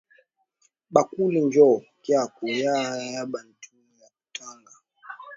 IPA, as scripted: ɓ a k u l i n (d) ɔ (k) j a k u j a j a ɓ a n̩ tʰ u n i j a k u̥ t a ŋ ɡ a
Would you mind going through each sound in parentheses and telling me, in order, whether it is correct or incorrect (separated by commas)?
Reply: incorrect, correct